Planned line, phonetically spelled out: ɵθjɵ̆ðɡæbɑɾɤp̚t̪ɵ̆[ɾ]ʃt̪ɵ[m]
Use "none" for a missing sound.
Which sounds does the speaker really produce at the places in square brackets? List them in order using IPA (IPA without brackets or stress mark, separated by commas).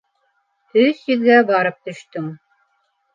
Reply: none, ŋ